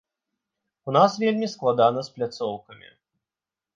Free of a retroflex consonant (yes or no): yes